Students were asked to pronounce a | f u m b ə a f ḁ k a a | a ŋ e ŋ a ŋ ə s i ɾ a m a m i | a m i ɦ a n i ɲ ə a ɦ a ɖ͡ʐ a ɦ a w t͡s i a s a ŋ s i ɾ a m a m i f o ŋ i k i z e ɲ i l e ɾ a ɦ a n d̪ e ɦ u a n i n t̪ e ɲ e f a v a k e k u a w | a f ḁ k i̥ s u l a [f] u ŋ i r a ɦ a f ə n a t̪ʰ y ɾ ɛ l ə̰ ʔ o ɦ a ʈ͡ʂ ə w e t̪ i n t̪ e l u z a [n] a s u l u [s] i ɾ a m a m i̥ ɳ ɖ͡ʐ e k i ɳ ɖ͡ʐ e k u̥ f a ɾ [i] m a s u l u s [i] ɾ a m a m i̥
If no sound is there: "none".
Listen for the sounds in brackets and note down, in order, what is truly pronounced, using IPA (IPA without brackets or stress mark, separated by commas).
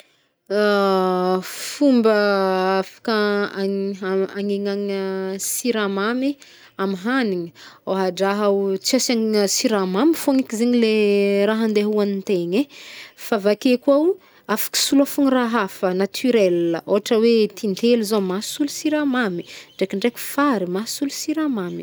f, m, s, i, i